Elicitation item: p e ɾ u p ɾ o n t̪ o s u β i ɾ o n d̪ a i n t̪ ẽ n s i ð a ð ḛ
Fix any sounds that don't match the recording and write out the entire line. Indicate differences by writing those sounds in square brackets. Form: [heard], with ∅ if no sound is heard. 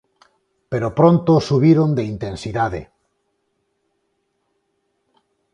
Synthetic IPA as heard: p e ɾ [o] p ɾ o n t̪ o s u β i ɾ o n d̪ [e] i n t̪ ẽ n s i ð a ð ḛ